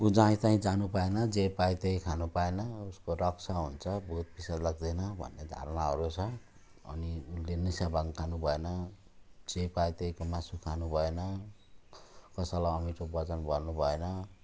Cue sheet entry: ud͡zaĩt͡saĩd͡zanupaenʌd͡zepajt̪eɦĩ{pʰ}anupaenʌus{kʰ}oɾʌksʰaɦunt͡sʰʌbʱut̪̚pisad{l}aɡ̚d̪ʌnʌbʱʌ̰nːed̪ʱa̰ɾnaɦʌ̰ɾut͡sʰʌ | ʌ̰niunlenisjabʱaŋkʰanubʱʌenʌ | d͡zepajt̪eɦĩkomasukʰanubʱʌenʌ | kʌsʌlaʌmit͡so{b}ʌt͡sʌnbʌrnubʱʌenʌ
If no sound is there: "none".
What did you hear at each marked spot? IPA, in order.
kʰ, k, l, b

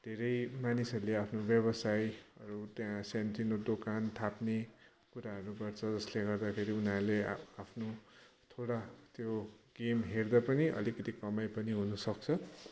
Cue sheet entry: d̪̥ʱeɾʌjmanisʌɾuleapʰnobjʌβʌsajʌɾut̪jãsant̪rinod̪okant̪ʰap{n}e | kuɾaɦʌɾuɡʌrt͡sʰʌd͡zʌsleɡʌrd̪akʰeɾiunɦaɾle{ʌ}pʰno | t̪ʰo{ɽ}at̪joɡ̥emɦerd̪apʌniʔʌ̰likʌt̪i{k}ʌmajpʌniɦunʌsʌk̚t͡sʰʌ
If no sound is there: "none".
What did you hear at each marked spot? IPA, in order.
n, a, ɽ, k

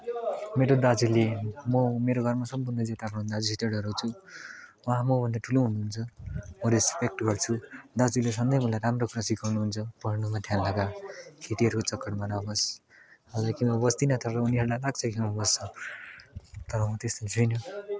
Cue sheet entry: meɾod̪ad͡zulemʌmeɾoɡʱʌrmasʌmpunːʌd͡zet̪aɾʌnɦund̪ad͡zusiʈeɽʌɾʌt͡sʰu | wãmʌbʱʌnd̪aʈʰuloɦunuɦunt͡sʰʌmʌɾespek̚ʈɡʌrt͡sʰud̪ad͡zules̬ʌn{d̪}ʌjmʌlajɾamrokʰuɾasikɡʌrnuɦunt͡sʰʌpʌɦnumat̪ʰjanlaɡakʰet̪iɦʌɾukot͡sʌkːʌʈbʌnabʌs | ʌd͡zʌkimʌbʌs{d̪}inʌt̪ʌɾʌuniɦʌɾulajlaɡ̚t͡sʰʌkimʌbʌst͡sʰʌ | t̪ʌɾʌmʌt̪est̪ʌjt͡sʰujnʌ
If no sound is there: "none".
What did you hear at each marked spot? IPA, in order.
d̪, t̪

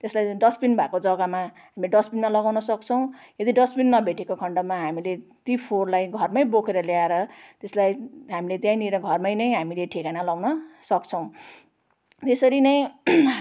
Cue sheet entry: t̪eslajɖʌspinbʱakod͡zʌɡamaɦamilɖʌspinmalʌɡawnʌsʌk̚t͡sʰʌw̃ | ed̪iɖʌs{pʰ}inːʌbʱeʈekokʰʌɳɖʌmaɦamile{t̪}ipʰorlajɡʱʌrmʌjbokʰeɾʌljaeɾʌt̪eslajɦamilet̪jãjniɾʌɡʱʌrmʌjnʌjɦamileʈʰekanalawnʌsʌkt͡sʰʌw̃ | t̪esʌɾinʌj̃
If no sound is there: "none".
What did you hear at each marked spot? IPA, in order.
p, t̪

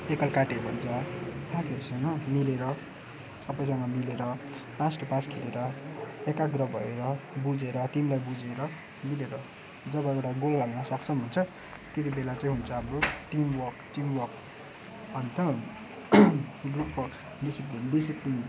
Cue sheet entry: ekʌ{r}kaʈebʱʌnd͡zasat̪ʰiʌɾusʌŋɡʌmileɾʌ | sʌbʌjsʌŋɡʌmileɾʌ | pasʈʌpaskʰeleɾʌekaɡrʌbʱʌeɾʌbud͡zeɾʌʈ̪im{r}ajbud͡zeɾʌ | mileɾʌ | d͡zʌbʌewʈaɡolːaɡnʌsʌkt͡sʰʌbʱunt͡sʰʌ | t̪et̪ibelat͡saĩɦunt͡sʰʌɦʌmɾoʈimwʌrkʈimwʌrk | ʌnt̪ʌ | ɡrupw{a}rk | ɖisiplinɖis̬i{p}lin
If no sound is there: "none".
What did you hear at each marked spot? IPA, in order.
l, l, ʌ, p

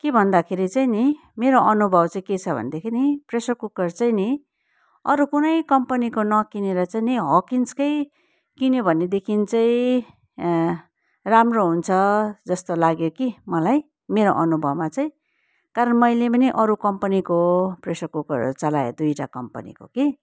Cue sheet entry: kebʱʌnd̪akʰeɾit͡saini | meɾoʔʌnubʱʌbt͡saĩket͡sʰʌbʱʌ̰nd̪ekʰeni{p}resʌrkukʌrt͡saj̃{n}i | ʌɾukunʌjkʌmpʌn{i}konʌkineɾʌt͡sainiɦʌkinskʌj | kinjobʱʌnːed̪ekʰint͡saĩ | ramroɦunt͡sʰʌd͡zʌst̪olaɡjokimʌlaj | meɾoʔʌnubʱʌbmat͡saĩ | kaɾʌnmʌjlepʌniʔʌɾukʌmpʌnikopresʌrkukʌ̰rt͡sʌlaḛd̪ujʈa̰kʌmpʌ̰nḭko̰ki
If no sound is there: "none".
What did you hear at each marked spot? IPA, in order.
p, n, i

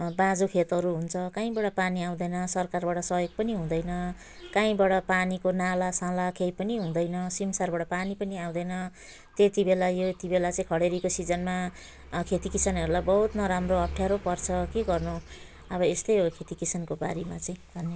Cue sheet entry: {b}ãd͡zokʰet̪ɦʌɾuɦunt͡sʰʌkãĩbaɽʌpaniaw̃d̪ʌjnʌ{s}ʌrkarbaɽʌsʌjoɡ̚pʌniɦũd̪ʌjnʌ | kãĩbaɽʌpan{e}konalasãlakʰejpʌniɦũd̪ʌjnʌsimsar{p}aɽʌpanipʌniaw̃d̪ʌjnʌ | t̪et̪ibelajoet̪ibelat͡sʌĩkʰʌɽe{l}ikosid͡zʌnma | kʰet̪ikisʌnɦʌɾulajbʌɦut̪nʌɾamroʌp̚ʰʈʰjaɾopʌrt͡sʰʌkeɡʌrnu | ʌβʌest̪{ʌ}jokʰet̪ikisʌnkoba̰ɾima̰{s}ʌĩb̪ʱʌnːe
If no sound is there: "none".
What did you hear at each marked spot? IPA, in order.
b, s, i, b, ɾ, ʌ, t͡s

